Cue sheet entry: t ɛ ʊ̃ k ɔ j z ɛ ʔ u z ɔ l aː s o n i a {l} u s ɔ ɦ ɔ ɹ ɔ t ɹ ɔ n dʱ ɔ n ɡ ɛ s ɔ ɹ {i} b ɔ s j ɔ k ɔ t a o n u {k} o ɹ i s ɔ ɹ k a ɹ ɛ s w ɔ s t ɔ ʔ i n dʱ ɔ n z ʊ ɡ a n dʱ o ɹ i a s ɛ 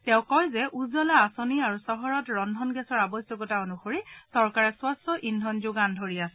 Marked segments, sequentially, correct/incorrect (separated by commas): incorrect, incorrect, incorrect